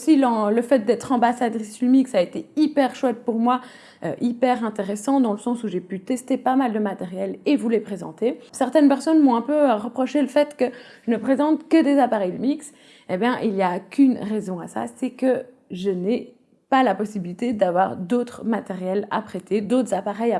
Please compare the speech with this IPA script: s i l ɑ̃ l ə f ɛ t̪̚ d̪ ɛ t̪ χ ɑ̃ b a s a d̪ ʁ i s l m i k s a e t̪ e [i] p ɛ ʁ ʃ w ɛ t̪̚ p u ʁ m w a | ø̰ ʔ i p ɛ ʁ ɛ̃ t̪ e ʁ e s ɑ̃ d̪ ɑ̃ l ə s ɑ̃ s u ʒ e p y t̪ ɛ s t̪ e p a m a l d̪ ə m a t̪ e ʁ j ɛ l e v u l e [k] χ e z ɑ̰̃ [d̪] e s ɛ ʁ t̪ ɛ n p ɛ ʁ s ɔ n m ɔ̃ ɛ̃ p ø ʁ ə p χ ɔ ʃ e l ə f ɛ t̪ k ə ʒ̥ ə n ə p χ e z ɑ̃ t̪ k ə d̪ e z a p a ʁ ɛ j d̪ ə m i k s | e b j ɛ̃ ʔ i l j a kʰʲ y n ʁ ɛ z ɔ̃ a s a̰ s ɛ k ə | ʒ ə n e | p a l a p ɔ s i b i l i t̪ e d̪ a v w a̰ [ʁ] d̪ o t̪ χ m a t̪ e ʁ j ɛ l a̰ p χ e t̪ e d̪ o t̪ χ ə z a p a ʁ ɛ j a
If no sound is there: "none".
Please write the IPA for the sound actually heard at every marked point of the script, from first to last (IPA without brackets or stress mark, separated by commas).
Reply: i, p, t̪, ʁ